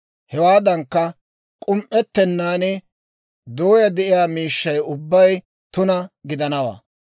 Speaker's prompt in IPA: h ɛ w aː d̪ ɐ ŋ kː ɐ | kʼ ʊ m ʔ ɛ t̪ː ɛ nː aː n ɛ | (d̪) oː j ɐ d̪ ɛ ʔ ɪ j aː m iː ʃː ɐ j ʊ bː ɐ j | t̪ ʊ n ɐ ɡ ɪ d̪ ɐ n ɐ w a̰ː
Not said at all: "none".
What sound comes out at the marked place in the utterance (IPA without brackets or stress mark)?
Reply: d̪